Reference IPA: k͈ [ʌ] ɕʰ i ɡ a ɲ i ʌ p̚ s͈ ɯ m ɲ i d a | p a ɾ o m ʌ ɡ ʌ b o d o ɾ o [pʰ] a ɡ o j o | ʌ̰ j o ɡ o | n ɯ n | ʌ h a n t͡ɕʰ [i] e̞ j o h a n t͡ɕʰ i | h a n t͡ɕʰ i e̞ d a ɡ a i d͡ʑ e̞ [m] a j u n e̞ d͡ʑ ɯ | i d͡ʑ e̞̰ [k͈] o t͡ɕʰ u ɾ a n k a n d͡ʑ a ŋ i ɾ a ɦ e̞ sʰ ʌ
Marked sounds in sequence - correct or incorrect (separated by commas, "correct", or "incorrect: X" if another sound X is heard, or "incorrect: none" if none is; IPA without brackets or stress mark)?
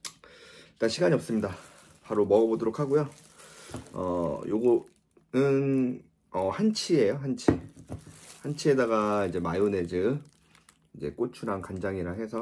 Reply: incorrect: a, incorrect: kʰ, correct, correct, correct